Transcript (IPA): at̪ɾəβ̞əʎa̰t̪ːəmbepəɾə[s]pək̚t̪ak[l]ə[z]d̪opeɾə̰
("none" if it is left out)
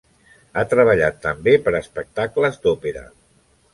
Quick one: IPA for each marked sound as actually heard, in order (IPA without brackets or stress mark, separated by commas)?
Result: s, l, z